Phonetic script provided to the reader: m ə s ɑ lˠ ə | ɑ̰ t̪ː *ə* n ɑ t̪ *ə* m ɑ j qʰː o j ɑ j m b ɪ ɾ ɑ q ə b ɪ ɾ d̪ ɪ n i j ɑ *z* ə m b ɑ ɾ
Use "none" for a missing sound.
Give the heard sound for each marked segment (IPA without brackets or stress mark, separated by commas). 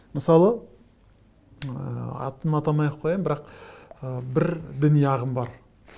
ə, ɑ, ʁ